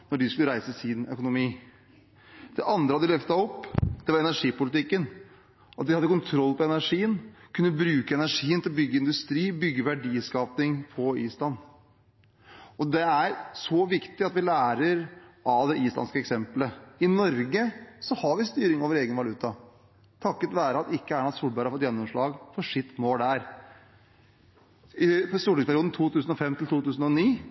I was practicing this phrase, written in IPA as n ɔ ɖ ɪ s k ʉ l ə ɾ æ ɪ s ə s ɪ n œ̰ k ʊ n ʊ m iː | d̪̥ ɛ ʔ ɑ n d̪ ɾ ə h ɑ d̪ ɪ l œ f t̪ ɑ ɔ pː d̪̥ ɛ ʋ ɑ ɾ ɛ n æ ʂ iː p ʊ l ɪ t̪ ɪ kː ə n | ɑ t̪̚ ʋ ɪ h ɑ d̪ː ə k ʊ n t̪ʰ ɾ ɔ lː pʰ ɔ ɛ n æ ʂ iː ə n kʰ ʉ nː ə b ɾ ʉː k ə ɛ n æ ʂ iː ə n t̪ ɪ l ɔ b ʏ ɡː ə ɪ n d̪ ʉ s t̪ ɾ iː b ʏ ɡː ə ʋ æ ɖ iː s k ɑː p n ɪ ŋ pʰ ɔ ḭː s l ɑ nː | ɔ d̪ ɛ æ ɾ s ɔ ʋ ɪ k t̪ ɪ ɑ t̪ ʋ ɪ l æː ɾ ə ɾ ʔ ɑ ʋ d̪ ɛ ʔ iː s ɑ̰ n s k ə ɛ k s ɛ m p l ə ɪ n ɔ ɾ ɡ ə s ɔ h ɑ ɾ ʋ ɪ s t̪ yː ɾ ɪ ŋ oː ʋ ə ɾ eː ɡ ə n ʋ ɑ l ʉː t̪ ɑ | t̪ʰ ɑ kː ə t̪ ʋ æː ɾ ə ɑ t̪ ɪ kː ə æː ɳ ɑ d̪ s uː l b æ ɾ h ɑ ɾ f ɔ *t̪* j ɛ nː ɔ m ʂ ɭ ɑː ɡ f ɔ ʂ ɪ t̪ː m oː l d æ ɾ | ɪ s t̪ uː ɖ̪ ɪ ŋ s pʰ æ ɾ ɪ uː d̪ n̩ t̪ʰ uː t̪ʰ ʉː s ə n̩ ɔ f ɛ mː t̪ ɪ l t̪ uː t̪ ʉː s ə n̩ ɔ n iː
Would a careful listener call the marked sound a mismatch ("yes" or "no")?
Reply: no